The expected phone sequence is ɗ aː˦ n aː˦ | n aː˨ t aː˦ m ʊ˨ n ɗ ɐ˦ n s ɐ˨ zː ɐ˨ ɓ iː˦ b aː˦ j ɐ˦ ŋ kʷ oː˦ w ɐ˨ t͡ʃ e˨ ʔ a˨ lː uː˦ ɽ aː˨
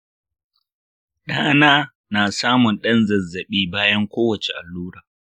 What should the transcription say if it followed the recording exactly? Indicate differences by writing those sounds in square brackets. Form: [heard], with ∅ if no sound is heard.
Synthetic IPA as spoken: ɗ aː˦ n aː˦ | n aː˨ [s] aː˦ m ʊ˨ n ɗ ɐ˦ n [z] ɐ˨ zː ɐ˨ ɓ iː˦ b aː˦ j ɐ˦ ŋ kʷ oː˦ w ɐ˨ t͡ʃ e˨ ʔ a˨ lː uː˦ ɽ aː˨